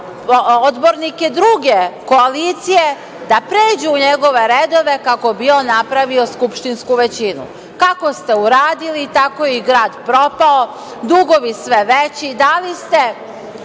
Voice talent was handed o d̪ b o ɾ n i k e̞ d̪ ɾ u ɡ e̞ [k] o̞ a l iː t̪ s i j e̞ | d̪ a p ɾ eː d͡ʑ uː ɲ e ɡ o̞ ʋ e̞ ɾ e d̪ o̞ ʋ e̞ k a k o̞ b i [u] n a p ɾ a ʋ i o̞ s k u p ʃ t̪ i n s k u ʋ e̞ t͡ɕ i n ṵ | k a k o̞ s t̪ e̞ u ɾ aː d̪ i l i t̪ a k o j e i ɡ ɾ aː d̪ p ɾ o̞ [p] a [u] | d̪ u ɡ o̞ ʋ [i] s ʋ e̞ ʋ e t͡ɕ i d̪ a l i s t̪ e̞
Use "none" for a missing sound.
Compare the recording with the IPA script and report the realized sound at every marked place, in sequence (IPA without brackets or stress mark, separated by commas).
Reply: k, o, p, o, i